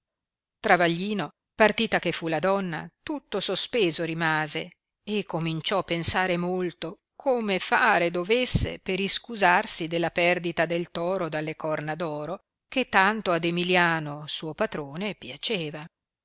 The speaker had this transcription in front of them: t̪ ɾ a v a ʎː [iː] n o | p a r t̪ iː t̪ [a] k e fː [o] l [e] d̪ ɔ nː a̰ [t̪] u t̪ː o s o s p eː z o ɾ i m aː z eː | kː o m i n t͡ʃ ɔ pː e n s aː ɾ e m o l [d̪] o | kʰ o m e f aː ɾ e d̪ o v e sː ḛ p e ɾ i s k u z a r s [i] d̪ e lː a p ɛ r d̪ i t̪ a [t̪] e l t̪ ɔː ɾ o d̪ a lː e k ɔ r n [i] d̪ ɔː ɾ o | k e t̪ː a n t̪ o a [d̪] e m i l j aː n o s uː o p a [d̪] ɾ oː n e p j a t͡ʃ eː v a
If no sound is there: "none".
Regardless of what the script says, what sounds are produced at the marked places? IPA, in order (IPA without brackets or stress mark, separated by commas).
iː, a, u, a, t̪, t̪, i, d̪, a, d̪, t̪